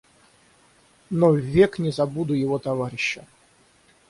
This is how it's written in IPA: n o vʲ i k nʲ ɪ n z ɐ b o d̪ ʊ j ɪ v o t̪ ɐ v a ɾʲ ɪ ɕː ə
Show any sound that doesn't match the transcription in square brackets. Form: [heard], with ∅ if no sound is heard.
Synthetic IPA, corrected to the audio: n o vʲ [e] k nʲ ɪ [∅] z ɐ b [u] d̪ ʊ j ɪ v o t̪ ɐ v a ɾʲ ɪ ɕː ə